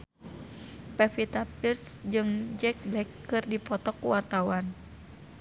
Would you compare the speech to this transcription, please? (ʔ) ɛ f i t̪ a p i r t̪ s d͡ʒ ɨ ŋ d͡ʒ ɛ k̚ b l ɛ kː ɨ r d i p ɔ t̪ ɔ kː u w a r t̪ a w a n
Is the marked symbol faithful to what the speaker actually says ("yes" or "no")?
no